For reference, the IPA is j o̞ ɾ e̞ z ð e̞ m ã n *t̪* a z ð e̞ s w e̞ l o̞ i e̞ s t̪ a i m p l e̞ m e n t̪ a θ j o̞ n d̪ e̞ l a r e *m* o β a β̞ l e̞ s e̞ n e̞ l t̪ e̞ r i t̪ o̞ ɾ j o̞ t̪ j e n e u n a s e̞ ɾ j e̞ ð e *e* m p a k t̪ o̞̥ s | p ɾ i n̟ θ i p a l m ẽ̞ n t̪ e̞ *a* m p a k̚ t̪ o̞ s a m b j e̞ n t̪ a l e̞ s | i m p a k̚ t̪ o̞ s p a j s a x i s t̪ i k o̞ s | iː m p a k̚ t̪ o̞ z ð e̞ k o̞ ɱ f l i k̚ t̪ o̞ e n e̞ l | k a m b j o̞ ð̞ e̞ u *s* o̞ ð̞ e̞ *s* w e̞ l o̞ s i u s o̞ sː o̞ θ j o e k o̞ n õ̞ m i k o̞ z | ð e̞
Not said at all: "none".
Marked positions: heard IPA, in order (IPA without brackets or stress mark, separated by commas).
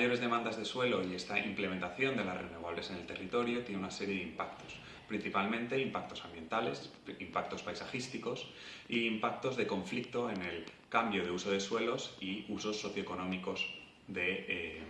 d̪, n, i, i, s, s